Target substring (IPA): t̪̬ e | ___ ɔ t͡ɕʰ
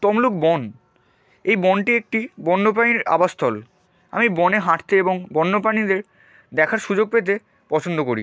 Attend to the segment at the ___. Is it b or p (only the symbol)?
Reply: p